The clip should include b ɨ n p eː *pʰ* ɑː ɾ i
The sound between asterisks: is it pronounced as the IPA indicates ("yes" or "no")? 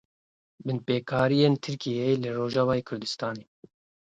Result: no